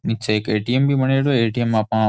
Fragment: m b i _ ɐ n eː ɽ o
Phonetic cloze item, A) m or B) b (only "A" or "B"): A